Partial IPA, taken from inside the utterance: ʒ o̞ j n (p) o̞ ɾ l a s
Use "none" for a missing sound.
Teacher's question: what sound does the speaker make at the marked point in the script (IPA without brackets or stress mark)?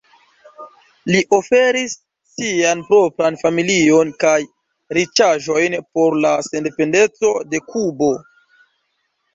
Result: p